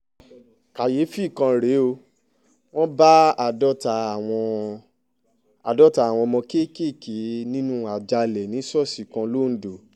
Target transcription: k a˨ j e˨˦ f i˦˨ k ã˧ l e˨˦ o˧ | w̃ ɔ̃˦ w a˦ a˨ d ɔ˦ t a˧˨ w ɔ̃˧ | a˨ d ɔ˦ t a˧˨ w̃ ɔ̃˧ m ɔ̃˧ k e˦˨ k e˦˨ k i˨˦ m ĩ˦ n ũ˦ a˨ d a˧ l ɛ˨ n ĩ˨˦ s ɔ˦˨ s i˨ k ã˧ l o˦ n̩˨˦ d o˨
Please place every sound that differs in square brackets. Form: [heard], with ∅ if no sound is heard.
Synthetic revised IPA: k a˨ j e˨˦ f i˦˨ k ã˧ [ɾ] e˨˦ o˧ | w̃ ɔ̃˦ [b] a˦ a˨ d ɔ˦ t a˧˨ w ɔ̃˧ | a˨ d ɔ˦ t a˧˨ w̃ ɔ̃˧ m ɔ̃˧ k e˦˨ k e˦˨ k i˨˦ [n] ĩ˦ n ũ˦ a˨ [d͡ʒ] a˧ l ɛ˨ n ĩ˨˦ s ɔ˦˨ s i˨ k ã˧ l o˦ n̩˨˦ d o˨